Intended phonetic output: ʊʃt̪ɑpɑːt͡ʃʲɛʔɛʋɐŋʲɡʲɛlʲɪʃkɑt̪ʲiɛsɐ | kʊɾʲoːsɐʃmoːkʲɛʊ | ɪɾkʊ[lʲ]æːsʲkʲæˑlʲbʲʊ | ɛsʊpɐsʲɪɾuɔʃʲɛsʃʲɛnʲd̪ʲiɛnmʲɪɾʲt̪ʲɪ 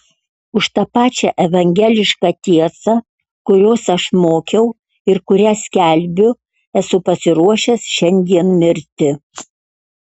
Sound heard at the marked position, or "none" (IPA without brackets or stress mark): ɾʲ